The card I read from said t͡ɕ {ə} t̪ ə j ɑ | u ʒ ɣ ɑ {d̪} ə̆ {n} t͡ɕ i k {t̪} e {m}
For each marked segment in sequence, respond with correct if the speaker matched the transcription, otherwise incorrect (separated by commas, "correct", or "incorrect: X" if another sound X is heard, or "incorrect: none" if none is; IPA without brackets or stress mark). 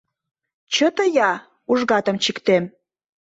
correct, incorrect: t̪, incorrect: m, correct, correct